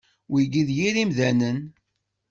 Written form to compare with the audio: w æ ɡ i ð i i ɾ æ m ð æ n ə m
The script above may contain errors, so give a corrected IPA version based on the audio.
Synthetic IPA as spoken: w i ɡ i ð j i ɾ i m ð æ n ə n